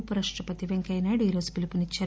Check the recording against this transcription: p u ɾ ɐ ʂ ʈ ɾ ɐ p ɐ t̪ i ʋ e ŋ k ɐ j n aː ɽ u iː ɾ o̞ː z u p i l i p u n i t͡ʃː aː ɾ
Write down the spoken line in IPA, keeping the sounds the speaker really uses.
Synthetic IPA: p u ɾ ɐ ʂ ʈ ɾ ɐ p ɐ t̪ i ʋ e ŋ k ɐ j n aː ɽ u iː ɾ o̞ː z u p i l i p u n i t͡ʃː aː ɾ

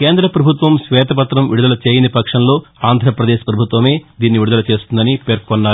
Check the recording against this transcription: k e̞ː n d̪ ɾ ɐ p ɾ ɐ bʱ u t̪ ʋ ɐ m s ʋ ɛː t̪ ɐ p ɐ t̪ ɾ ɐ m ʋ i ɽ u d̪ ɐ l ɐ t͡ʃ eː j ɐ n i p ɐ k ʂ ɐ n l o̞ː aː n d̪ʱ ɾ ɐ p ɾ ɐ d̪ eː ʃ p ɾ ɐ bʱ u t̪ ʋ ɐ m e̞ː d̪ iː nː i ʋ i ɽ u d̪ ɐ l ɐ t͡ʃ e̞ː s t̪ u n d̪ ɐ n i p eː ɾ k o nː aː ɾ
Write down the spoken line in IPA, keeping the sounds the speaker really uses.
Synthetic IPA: k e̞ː n d̪ ɾ ɐ p ɾ ɐ bʱ u t̪ ʋ ɐ m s ʋ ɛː t̪ ɐ p ɐ t̪ ɾ ɐ m ʋ i ɽ u d̪ ɐ l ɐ t͡ʃ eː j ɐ n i p ɐ k ʂ ɐ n l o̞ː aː n d̪ʱ ɾ ɐ p ɾ ɐ d̪ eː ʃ p ɾ ɐ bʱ u t̪ ʋ ɐ m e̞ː d̪ iː nː i ʋ i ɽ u d̪ ɐ l ɐ t͡ʃ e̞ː s t̪ u n d̪ ɐ n i p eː ɾ k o nː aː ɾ

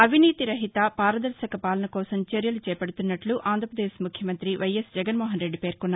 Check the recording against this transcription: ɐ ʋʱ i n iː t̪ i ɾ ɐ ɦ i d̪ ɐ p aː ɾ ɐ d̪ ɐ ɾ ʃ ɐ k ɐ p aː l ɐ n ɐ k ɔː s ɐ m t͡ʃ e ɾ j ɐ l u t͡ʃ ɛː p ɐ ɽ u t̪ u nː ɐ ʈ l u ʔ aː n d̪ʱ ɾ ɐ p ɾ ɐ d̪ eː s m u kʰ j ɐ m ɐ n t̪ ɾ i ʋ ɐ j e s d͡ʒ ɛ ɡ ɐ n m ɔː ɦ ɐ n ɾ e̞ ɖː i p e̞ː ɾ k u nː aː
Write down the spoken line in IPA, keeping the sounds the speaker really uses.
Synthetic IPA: ɐ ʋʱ i n iː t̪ i ɾ ɐ ɦ i t̪ ɐ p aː ɾ ɐ d̪ ɐ ɾ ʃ ɐ k ɐ p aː l ɐ n ɐ k ɔː s ɐ m t͡ʃ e ɾ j ɐ l u t͡ʃ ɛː p ɐ ɽ u t̪ u nː ɐ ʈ l u ʔ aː n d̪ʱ ɾ ɐ p ɾ ɐ d̪ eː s m u kʰ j ɐ m ɐ n t̪ ɾ i ʋ ɐ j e s d͡ʒ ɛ ɡ ɐ n m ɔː ɦ ɐ n ɾ e̞ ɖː i p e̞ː ɾ k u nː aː

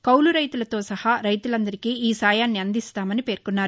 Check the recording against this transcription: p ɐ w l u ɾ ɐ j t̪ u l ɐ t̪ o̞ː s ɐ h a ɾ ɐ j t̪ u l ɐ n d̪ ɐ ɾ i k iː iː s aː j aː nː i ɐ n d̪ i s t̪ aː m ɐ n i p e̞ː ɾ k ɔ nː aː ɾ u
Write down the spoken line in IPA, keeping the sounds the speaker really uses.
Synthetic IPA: k ɐ w l u ɾ ɐ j t̪ u l ɐ t̪ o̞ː s ɐ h a ɾ ɐ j t̪ u l ɐ n d̪ ɐ ɾ i k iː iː s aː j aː nː i ɐ n d̪ i s t̪ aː m ɐ n i p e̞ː ɾ k u nː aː ɾ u

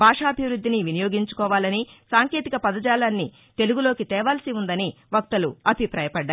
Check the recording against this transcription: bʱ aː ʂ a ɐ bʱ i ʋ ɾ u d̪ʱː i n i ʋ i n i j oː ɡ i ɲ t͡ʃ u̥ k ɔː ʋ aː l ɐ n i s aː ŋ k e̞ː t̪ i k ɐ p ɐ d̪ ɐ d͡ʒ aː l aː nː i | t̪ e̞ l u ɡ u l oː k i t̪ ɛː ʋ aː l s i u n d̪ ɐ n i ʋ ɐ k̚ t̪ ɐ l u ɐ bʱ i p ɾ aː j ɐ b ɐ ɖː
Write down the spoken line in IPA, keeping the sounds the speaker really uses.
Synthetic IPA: bʱ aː ʂ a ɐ bʱ i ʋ ɾ u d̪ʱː i n i ʋ i n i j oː ɡ i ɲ t͡ʃ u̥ k ɔː ʋ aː l ɐ n i s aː ŋ k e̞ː t̪ i k ɐ p ɐ d̪ ɐ d͡ʒ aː l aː nː i | t̪ e̞ l u ɡ u l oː k i t̪ ɛː ʋ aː l s i u n d̪ ɐ n i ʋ ɐ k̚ t̪ ɐ l u ɐ bʱ i p ɾ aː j ɐ p ɐ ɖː

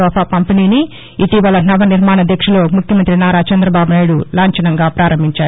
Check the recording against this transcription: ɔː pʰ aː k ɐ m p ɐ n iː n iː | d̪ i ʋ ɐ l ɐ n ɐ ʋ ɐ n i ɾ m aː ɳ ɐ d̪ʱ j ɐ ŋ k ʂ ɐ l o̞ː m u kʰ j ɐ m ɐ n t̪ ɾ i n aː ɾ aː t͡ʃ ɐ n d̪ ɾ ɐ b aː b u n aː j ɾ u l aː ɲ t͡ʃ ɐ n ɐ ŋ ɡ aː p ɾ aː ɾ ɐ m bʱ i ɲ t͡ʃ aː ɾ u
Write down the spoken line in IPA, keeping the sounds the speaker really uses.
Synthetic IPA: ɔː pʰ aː k ɐ m p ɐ n iː n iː | t̪ i ʋ ɐ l ɐ n ɐ ʋ ɐ n i ɾ m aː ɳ ɐ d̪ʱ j ɐ k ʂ ɐ l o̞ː m u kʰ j ɐ m ɐ n t̪ ɾ i n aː ɾ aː t͡ʃ ɐ n d̪ ɾ ɐ b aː b u n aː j ɽ u l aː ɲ t͡ʃ ɐ n ɐ ŋ ɡ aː p ɾ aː ɾ ɐ m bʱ i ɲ t͡ʃ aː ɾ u

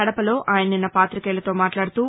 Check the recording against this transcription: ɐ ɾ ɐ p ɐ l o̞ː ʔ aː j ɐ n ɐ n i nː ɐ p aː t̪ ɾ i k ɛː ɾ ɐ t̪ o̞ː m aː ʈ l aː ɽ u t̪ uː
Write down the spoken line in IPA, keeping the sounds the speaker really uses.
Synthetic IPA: ɐ ɽ ɐ p ɐ l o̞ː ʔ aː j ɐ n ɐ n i nː ɐ p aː t̪ ɾ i k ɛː l ɐ t̪ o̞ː m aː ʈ l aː ɽ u t̪ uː

